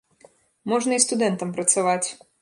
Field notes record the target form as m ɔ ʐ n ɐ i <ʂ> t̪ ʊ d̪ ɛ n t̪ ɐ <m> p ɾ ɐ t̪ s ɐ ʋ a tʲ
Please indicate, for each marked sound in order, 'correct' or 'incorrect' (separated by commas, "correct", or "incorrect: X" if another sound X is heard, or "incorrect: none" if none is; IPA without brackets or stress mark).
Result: incorrect: s, correct